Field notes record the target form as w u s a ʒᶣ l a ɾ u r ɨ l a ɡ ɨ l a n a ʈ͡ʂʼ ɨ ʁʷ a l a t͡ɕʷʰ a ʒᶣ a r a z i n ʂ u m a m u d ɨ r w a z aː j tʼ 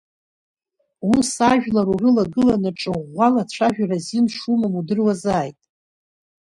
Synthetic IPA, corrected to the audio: w u s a ʒᶣ l a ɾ u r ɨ l a ɡ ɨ l a n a ʈ͡ʂʼ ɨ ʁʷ a l a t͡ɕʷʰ a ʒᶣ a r a z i n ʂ u m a m u d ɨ r w a z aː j tʼ